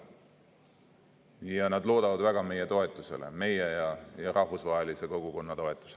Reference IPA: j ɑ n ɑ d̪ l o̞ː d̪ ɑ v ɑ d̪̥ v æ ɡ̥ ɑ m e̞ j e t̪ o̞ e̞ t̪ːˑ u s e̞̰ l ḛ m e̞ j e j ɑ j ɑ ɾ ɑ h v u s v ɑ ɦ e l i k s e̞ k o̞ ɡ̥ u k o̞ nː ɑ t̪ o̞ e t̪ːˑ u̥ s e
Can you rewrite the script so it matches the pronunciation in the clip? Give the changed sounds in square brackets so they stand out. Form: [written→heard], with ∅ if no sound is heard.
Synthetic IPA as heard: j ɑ n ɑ d̪ l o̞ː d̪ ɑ v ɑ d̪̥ v æ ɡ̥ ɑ m e̞ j e t̪ o̞ e̞ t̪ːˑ u s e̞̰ l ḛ m e̞ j e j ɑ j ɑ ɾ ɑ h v u s v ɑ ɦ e l i [k→∅] s e̞ k o̞ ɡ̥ u k o̞ nː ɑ t̪ o̞ e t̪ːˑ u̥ s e